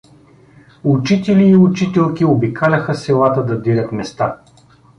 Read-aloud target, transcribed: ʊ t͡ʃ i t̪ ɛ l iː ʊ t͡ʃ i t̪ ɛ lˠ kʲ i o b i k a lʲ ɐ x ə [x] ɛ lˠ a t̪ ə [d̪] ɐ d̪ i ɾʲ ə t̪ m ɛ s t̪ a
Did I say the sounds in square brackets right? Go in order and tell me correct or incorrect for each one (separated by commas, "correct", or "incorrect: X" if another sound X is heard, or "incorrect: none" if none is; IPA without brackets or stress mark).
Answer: incorrect: s, correct